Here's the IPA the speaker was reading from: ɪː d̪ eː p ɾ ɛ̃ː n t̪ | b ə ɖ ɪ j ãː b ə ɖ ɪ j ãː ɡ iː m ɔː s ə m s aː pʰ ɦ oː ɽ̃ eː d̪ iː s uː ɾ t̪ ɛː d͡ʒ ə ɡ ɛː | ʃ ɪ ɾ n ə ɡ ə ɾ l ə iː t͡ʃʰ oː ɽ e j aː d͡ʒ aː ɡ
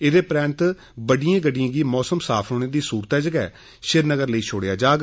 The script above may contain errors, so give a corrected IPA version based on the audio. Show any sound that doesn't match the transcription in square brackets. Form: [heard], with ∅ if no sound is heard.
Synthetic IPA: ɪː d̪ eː p ɾ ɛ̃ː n t̪ | b ə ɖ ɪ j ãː [ɡ] ə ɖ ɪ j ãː ɡ iː m ɔː s ə m s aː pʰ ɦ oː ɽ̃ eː d̪ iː s uː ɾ t̪ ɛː d͡ʒ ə ɡ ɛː | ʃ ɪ ɾ n ə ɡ ə ɾ l ə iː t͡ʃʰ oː ɽ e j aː d͡ʒ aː ɡ

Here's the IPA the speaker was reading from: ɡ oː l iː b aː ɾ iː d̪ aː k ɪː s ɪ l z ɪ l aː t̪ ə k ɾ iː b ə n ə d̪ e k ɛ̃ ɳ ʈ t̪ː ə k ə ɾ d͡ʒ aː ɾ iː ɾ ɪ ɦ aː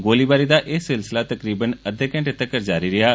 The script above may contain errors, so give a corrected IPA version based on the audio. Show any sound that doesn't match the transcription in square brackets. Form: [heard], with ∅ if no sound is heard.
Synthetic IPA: ɡ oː l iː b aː ɾ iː d̪ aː [ʔ] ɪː s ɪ l [s] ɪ l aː t̪ ə k ɾ iː b ə n ə d̪ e k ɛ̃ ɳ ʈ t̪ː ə k ə ɾ d͡ʒ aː ɾ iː ɾ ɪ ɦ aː

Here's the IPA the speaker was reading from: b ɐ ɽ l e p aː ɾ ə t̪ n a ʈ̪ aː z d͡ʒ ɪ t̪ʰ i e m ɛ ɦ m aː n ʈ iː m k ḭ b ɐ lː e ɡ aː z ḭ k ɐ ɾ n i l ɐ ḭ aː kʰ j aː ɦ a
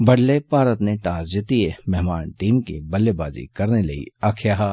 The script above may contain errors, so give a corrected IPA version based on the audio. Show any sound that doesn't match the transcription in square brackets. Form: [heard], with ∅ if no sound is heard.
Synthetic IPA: b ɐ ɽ l e p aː ɾ ə t̪ n [e] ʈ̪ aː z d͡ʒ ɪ [t̪] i e m ɛ ɦ m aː n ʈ iː m k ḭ b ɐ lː e [b] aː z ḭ k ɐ ɾ n [e] l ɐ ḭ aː kʰ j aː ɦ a

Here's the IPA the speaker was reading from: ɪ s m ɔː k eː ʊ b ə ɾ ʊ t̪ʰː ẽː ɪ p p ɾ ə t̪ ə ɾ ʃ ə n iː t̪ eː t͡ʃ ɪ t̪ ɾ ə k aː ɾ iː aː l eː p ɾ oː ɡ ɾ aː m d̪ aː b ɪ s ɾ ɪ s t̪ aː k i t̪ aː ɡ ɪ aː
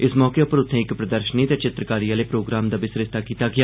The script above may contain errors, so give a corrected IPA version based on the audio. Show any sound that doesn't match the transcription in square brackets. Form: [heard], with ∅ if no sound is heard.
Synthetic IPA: ɪ s m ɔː k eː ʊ [p] ə ɾ ʊ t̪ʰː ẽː ɪ [k] p ɾ ə [d̪] ə ɾ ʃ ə n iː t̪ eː t͡ʃ ɪ t̪ ɾ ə k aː ɾ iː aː l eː p ɾ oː ɡ ɾ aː m d̪ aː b ɪ s ɾ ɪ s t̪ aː k [iː] t̪ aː ɡ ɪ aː

